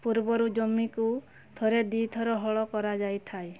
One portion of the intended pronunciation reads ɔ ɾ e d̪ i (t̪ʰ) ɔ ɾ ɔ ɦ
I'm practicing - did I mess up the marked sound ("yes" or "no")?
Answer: no